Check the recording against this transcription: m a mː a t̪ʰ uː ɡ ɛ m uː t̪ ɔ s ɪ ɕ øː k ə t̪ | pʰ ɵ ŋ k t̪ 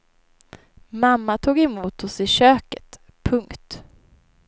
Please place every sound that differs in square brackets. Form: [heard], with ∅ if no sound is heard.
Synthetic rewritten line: m a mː a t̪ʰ uː ɡ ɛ m uː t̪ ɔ s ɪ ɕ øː k ə t̪ | pʰ ɵ ŋ k t̪